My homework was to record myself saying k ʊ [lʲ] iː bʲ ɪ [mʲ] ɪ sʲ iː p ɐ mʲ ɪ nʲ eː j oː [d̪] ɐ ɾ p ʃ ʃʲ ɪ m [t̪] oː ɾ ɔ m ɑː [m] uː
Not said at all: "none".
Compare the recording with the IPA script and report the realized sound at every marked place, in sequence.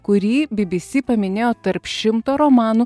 ɾʲ, bʲ, t̪, t̪, n

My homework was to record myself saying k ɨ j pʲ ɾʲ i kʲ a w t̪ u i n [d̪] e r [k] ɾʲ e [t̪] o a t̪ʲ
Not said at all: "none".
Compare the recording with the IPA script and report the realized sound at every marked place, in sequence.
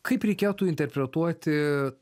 t̪, p, t̪

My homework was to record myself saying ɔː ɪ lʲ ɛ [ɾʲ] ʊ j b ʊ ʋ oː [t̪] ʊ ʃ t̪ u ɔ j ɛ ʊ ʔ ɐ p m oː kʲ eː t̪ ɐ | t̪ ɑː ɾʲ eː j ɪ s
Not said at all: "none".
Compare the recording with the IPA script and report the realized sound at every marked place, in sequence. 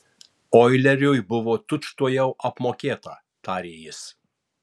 ɾʲ, t̪

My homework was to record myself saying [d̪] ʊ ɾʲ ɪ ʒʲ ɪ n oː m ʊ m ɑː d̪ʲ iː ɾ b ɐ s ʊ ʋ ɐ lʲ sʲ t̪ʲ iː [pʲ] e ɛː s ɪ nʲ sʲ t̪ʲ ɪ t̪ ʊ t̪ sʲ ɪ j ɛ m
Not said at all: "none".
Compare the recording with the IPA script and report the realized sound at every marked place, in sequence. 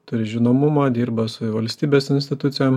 t̪, bʲ

